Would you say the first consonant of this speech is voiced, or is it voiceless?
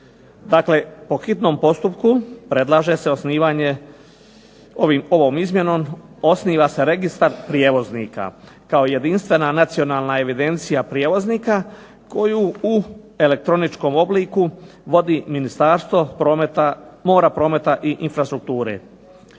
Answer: voiced